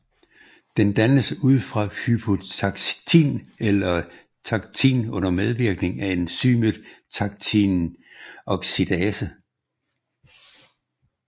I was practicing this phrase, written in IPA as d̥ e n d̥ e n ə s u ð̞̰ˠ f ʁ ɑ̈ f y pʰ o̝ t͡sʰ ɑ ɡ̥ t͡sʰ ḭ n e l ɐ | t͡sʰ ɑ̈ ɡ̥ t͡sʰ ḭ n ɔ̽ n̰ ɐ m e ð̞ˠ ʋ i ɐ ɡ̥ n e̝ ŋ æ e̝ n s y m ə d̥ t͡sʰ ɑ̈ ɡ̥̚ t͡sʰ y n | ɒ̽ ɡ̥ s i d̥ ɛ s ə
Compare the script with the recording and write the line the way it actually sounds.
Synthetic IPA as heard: d̥ e n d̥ æ n ə s u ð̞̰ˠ f ʁ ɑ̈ h y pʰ o̝ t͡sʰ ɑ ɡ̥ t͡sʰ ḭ n e l ɐ | t͡sʰ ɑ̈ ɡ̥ t͡sʰ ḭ n ɔ̽ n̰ ɐ m e ð̞ˠ ʋ i ɐ ɡ̥ n e̝ ŋ æ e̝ n s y m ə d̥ t͡sʰ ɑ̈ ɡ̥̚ t͡sʰ i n | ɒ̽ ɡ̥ s i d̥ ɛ s ə

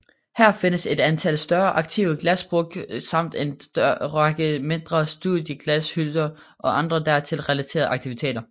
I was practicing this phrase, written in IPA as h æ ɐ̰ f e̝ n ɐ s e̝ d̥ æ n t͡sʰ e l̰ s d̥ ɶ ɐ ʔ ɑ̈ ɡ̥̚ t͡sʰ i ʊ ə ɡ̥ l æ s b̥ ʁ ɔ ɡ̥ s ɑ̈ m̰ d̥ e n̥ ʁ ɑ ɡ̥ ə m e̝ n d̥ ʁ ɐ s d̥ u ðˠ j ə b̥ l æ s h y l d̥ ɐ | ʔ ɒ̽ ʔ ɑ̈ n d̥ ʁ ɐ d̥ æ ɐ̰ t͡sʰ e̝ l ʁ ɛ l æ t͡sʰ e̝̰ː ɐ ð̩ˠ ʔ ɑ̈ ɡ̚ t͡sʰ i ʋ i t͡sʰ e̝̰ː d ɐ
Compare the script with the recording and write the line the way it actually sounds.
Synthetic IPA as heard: h æ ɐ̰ f e̝ n ə s e̝ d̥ æ n t͡sʰ æ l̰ s d̥ ɶ ɐ ʔ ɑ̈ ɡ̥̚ t͡sʰ i ʊ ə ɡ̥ l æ s b̥ ʁ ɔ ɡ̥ s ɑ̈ m̰ d̥ e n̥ ʁ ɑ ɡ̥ ə m e̝ n d̥ ʁ ɐ s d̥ u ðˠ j ə ɡ̥ l æ s h y l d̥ ɐ | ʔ ɒ̽ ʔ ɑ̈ n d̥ ʁ ɐ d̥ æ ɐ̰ t͡sʰ e̝ l ʁ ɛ l æ t͡sʰ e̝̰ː ɐ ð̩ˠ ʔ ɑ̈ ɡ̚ t͡sʰ i ʋ i t͡sʰ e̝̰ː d ɐ

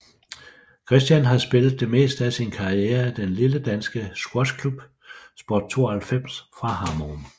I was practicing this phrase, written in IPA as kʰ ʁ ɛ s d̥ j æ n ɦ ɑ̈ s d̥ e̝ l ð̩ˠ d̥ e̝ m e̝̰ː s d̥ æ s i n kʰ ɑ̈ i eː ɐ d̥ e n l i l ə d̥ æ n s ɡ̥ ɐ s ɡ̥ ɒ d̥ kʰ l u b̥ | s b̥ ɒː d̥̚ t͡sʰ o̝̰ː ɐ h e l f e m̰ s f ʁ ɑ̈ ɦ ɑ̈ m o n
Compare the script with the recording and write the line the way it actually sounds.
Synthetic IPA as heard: kʰ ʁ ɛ s d̥ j æ n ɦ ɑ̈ s b̥ e̝ l ð̩ˠ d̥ e̝ m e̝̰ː s d̥ æ s i n kʰ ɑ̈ i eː ɐ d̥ e n l i l ə d̥ æ n s ɡ̥ ə s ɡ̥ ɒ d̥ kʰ l u b̥ | s b̥ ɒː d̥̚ t͡sʰ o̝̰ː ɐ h æ l f e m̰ s f ʁ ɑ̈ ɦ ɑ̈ m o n

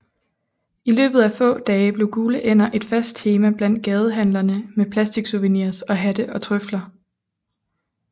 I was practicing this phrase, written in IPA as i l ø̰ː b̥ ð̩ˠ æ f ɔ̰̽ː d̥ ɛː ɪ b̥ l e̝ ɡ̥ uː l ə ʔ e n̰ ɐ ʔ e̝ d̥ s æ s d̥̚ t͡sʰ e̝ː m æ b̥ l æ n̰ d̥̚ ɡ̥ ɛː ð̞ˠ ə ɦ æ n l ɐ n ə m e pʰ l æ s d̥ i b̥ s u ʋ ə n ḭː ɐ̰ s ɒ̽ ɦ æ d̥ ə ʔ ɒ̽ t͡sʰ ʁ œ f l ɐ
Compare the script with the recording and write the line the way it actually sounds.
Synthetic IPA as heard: i l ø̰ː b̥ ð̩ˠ æ f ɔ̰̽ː d̥ ɛː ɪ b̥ l e̝ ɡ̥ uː l ə ʔ e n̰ ɐ ʔ e̝ d̥ f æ s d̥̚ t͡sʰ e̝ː m æ b̥ l æ n̰ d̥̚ ɡ̥ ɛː ð̞ˠ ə ɦ æ n l ɐ n ə m e pʰ l æ s d̥ i ɡ̥ s u ʋ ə n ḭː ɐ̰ s ɒ̽ ɦ æ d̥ ə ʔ ɒ̽ t͡sʰ ʁ œ f l ɐ

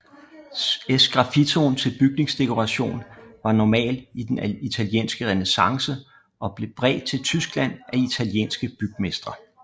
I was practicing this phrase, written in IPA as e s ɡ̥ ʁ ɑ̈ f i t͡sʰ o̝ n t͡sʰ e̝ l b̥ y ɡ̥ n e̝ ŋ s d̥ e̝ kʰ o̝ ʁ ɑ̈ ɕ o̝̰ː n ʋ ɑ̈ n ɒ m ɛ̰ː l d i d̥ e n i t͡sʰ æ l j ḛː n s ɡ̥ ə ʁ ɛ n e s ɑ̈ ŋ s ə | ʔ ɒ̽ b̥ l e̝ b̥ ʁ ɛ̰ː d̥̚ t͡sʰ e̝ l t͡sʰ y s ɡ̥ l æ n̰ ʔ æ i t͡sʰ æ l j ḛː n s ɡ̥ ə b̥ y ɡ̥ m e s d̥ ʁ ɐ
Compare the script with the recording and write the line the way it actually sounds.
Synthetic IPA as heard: e s ɡ̥ ʁ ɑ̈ f i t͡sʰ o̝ n t͡sʰ e̝ l b̥ y ɡ̥ n e̝ ŋ s d̥ e̝ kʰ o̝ ʁ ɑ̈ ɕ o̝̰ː n ʋ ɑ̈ n ɒ m ɛ̰ː l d i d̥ e n i t͡sʰ æ l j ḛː n s ɡ̥ ə ʁ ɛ n e s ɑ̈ ŋ s ə | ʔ ɒ̽ b̥ l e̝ b̥ ʁ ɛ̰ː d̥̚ t͡sʰ e̝ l t͡sʰ y s ɡ̥ l æ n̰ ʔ æ i t͡sʰ æ l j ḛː n s ɡ̥ ə b̥ y ɡ̥ m e s d̥ ʁ ɐ

